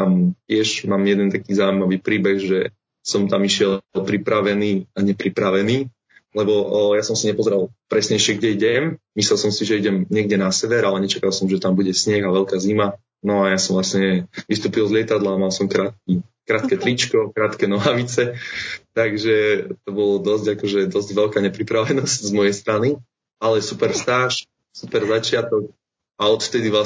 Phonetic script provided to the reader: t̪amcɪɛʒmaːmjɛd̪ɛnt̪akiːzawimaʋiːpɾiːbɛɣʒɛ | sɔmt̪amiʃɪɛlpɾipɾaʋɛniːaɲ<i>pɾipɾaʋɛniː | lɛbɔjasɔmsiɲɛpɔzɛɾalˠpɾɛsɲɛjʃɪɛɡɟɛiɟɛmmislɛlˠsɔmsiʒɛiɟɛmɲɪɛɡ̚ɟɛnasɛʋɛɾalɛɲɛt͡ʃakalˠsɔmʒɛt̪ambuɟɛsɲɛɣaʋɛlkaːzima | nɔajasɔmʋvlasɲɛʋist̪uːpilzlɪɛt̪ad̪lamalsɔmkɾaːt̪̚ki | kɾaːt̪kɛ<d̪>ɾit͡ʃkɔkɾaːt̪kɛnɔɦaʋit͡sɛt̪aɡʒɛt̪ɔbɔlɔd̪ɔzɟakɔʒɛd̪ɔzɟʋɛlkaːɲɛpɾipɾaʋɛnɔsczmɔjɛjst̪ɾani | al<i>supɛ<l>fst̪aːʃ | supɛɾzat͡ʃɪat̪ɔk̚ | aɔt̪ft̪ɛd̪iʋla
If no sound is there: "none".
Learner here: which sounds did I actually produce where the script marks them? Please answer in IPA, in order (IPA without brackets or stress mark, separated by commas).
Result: ɛ, t̪, ɛ, ɾ